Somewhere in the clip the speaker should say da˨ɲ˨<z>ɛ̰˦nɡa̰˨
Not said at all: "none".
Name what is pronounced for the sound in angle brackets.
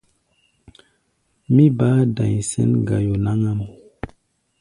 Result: s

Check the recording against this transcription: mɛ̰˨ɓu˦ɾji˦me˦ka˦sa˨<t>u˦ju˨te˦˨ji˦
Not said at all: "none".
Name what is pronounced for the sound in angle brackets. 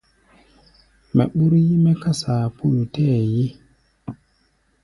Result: p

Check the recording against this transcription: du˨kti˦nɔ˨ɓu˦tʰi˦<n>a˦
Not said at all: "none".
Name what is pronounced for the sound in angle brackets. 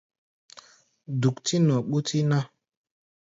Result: n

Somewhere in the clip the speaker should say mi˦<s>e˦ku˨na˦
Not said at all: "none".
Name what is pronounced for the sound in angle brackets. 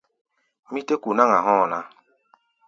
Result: t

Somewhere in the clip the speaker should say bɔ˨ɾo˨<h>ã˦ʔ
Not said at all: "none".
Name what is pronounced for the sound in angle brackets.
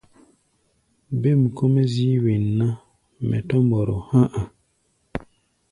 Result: h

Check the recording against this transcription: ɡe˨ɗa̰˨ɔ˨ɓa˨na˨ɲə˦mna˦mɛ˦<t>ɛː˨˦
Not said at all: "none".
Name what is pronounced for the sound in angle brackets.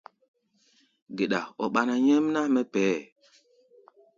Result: p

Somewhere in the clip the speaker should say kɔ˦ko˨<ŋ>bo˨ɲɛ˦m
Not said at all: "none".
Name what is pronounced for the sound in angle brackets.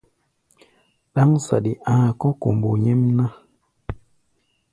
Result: m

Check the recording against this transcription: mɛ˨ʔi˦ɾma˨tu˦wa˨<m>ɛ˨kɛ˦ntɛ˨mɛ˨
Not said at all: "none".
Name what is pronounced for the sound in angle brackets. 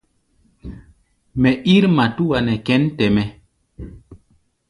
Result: n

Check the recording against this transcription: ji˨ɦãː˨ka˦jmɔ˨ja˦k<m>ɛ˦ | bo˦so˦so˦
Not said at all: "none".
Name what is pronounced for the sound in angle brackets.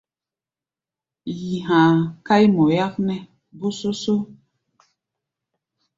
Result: n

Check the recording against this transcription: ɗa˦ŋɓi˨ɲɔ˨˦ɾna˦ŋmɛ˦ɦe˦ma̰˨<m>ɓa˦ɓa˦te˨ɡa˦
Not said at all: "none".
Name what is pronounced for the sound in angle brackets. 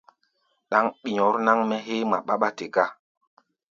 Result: none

